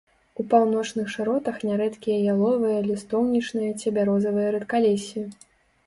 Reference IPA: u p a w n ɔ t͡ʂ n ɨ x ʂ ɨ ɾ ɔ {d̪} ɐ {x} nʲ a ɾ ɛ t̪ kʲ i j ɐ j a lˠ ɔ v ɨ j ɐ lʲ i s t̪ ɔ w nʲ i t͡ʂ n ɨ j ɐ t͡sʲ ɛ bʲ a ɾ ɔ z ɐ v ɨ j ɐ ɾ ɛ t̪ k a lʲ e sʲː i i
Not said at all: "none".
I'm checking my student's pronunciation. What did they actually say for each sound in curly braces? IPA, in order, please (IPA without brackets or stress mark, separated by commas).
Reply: t̪, x